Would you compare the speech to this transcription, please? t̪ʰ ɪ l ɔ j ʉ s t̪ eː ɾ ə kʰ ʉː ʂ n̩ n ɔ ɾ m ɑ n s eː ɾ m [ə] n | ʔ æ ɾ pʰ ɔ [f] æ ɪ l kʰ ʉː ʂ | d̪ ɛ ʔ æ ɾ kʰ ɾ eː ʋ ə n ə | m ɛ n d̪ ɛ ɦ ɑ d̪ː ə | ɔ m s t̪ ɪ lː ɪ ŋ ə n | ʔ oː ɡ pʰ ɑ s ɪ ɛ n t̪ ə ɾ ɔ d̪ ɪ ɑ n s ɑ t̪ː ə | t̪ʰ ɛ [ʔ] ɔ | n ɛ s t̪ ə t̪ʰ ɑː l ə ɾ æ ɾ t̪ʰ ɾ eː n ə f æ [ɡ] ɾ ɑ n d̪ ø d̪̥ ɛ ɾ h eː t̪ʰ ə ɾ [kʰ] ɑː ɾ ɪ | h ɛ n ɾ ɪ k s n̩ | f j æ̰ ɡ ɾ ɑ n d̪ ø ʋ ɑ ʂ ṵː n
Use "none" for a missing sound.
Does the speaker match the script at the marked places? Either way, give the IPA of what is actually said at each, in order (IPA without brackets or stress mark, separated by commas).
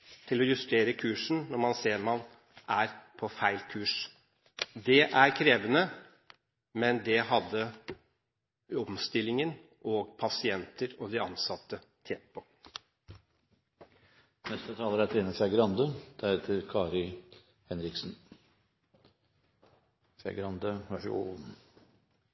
ɑ, f, p, ɡ, kʰ